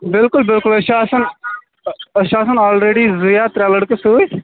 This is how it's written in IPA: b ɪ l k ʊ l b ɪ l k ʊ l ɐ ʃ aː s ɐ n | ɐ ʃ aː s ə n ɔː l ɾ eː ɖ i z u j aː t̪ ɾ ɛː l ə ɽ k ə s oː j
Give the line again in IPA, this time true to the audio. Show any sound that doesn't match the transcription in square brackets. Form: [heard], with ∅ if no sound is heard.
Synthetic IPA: b ɪ l k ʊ l b ɪ l k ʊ l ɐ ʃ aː s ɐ n | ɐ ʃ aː s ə n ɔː l ɾ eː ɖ i z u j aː t̪ ɾ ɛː l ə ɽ k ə s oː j

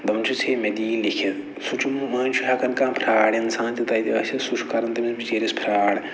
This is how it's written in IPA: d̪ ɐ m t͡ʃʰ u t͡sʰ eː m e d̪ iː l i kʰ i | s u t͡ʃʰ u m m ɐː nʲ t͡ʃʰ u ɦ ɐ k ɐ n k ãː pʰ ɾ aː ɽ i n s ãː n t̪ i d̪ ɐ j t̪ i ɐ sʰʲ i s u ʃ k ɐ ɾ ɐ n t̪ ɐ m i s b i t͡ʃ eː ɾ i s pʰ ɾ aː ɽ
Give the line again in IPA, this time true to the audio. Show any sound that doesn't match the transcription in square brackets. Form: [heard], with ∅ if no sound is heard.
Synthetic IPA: d̪ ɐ m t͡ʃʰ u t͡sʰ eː m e d̪ iː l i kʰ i | s u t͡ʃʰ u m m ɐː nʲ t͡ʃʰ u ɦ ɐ k ɐ n k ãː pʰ ɾ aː ɽ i n s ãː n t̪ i [t̪] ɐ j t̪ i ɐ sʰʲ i s u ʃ k ɐ ɾ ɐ n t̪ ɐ m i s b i t͡ʃ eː ɾ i s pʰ ɾ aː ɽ

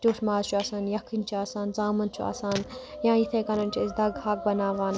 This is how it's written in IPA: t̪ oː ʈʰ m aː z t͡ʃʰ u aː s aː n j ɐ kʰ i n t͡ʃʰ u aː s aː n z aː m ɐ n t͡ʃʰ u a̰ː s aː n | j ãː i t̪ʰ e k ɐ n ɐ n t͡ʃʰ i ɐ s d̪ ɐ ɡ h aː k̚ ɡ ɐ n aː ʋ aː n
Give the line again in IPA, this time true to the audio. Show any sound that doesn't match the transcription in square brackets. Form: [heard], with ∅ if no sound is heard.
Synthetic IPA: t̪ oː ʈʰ m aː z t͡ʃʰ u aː s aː n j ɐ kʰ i n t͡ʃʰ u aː s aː n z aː m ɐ n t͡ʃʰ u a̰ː s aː n | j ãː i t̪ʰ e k ɐ n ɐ n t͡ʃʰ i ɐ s d̪ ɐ ɡ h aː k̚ [b] ɐ n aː ʋ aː n

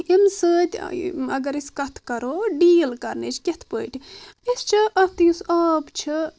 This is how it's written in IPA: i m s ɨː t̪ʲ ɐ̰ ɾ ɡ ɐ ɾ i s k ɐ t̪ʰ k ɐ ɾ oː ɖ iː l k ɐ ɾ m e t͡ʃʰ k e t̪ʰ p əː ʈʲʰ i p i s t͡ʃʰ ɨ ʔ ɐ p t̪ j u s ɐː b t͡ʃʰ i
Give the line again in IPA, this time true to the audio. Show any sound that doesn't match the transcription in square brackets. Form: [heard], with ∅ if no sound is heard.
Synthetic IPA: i m s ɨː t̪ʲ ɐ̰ [∅] ɡ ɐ ɾ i s k ɐ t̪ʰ k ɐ ɾ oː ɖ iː l k ɐ ɾ [n] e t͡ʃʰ k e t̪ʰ p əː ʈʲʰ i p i s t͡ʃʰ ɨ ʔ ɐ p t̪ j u s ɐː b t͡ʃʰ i

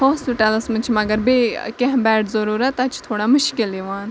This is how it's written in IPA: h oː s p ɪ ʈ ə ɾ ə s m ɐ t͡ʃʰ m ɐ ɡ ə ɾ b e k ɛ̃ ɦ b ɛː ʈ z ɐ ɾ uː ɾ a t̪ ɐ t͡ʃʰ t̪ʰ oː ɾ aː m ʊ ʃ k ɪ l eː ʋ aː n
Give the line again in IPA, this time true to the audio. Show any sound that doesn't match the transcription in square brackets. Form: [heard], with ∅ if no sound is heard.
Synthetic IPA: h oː s p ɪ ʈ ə [l] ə s m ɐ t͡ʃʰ m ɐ ɡ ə ɾ b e k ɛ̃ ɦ b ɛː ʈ z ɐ ɾ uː ɾ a t̪ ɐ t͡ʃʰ t̪ʰ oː [ɽ] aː m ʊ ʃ k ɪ l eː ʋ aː n

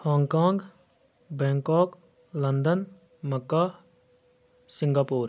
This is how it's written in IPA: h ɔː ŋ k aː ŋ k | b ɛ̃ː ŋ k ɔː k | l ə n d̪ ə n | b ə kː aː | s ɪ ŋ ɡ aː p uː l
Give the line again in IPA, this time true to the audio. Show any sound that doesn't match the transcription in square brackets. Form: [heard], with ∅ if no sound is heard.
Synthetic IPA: h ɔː ŋ k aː ŋ [ɡ] | b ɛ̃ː ŋ k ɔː k | l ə n d̪ ə n | [m] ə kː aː | s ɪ ŋ ɡ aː p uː [ɾ]

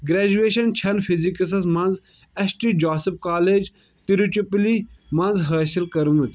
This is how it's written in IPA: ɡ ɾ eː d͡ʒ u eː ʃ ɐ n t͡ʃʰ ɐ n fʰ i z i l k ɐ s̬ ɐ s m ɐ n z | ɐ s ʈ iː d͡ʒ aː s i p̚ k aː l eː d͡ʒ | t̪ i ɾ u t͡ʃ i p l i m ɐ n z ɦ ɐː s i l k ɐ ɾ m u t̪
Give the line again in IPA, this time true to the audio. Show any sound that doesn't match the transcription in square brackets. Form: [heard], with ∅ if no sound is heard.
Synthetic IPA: ɡ ɾ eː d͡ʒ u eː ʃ ɐ n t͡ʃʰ ɐ n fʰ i z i [∅] k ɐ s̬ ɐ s m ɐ n z | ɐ s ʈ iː d͡ʒ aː s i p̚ k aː l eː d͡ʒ | t̪ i ɾ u t͡ʃ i p l i m ɐ n z ɦ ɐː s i l k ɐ ɾ m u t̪

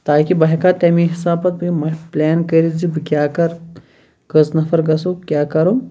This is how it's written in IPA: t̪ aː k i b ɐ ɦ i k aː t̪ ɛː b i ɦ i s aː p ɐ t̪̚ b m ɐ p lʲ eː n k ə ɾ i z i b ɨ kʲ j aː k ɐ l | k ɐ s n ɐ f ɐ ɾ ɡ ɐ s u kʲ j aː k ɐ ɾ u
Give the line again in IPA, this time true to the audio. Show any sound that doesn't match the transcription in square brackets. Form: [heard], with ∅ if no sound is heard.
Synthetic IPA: t̪ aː k i b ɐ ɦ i k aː t̪ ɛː [m] i ɦ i s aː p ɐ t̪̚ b m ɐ p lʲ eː n k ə ɾ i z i b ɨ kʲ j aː k ɐ [ɾ] | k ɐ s n ɐ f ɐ ɾ ɡ ɐ s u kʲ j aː k ɐ ɾ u

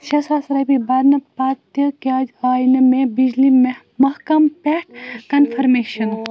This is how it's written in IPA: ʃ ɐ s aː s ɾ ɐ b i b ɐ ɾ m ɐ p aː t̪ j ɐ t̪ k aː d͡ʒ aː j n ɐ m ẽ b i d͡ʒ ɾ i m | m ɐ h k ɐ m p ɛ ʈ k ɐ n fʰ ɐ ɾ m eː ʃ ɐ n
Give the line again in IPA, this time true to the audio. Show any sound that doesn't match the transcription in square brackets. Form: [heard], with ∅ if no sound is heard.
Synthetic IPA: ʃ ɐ s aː s ɾ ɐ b i b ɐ ɾ [n] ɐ p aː t̪ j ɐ [∅] k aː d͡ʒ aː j n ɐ m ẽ b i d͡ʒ [l] i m | m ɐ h k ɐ m p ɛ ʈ k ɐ n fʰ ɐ ɾ m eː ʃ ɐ n

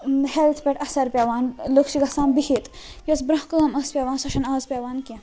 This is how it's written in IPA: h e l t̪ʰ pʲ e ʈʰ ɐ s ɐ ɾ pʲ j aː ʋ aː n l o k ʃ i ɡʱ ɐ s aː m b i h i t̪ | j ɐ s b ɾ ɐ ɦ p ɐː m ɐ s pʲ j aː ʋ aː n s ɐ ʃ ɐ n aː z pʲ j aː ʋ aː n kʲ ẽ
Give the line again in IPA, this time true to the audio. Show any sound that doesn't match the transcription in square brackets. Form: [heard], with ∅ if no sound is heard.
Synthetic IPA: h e l t̪ʰ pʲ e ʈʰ ɐ s ɐ ɾ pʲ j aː ʋ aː n l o k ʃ i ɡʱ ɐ s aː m b i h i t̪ | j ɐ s b ɾ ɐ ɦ [k] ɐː m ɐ s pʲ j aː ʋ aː n s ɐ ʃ ɐ n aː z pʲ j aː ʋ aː n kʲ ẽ

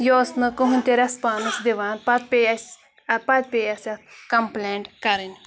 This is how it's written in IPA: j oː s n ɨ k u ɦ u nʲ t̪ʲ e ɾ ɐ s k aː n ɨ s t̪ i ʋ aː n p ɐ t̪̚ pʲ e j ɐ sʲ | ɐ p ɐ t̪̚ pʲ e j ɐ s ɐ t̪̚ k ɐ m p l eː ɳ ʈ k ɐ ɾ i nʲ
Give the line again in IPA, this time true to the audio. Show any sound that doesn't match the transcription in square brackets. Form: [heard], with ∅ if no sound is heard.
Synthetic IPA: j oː s n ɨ k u ɦ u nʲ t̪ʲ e ɾ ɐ s [p] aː n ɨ s [d̪] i ʋ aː n p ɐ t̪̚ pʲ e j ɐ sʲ | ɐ p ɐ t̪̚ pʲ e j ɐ s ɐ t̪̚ k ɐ m p l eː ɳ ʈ k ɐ ɾ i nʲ

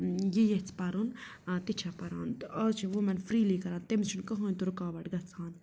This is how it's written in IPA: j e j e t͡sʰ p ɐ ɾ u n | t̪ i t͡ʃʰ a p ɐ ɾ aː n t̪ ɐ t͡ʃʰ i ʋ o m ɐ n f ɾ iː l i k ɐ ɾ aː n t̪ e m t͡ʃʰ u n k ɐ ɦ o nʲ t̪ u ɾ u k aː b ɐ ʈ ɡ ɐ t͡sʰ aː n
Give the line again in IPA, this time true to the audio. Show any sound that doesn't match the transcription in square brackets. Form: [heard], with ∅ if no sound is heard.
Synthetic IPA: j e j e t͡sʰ p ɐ ɾ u n | t̪ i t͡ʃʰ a p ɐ ɾ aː n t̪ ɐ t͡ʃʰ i ʋ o m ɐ n f ɾ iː l i k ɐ ɾ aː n t̪ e m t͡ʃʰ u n k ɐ ɦ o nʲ t̪ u ɾ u k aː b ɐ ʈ ɡ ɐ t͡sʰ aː n

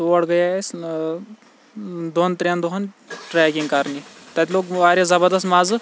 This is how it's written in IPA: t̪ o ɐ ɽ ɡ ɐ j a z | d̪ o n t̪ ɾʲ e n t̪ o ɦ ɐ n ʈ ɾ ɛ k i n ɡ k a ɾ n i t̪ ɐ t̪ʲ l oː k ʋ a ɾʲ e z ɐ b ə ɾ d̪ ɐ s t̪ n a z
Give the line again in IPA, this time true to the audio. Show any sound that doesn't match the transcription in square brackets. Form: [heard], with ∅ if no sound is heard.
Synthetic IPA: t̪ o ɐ ɽ ɡ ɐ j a [s] | d̪ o n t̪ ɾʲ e n [d̪] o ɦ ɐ n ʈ ɾ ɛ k i [ŋ] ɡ k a ɾ n i t̪ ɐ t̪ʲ l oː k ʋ a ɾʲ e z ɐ b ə ɾ d̪ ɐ s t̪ [m] a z

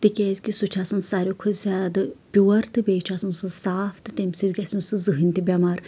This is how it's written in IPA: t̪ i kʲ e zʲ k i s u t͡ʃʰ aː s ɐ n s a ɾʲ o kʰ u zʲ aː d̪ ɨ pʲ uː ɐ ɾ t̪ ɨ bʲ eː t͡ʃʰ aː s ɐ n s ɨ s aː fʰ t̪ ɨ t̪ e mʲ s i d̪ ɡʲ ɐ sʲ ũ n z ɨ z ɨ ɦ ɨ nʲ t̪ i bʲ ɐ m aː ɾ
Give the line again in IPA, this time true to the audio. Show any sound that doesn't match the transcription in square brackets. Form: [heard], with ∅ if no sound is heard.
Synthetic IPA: t̪ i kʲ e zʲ k i s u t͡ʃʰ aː s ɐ n s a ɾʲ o kʰ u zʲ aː d̪ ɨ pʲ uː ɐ ɾ t̪ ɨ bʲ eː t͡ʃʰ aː s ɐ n s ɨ s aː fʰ t̪ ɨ t̪ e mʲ s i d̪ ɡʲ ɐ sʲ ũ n [s] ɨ z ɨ ɦ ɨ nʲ t̪ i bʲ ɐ m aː ɾ

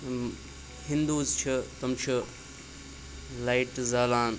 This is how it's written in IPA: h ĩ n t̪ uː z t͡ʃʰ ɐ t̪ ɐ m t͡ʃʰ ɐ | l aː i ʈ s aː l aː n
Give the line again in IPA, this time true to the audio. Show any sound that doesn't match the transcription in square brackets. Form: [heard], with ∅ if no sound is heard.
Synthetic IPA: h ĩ n [d̪] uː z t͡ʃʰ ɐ t̪ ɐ m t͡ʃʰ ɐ | l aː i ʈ [z] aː l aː n

